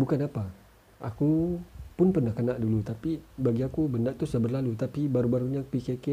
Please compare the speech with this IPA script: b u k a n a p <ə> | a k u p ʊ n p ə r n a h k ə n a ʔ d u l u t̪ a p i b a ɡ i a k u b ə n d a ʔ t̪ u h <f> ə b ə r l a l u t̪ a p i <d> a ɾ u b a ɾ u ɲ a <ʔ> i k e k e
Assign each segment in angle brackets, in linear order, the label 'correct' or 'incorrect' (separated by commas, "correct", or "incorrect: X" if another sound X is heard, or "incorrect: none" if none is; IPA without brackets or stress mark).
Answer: incorrect: a, incorrect: s, incorrect: b, incorrect: p